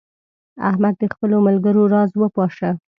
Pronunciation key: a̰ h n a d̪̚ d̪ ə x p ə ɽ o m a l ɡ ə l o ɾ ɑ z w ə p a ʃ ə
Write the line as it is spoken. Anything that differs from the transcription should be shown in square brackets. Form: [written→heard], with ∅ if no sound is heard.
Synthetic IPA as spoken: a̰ h [n→m] a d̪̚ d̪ ə x p ə [ɽ→l] o m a l ɡ ə [l→ɾ] o ɾ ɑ z w ə p [a→ɑ] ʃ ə